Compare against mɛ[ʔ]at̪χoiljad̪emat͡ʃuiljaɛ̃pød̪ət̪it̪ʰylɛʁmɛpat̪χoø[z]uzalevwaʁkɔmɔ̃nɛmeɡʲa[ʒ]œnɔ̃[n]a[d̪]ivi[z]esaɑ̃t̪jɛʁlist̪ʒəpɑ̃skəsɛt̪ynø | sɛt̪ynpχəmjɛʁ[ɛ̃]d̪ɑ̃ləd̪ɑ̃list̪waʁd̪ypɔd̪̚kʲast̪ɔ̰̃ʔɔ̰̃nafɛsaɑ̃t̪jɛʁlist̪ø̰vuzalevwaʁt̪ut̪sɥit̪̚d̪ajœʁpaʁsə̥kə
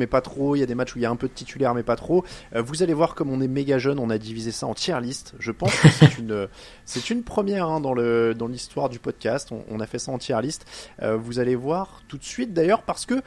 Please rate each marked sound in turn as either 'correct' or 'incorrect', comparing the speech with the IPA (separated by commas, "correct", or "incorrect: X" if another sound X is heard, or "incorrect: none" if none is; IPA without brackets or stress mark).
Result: incorrect: p, incorrect: v, correct, correct, correct, correct, correct